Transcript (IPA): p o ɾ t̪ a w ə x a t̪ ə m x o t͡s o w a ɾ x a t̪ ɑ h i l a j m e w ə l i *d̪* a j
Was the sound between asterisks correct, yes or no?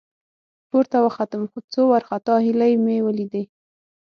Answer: yes